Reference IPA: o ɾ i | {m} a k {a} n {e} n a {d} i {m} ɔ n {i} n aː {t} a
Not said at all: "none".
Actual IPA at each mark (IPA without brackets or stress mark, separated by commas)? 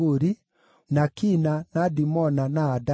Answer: n, i, a, d, m, a, d